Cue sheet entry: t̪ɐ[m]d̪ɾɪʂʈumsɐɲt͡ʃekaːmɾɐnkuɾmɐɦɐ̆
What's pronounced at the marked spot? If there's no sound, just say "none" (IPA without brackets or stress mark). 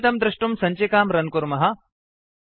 m